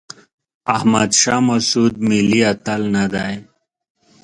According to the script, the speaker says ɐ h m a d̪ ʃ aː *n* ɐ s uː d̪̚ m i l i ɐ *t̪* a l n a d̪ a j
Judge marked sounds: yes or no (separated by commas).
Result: no, yes